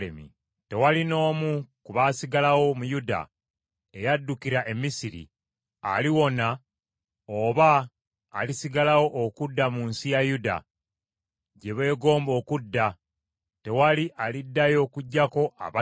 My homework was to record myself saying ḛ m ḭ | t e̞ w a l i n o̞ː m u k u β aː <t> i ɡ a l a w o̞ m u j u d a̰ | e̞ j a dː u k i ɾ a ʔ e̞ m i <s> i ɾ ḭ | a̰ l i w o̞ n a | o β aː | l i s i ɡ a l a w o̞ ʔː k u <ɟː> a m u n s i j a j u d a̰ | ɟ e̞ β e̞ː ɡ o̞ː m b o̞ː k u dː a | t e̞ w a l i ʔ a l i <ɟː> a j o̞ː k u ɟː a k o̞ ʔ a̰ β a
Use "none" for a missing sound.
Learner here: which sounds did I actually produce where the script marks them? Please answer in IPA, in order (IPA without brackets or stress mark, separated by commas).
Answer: s, s, dː, dː